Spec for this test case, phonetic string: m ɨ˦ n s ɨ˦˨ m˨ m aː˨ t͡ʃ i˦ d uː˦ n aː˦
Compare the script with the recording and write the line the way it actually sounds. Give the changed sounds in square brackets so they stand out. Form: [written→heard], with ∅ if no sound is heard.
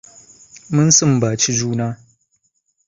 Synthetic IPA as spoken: m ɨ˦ n s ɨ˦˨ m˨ [m→b] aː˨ t͡ʃ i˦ [d→d͡ʒ] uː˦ n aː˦